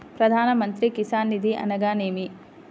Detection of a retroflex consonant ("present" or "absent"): absent